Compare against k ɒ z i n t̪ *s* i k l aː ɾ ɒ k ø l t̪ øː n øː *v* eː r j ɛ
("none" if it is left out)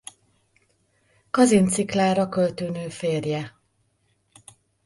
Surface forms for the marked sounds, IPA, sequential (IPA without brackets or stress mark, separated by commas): s, f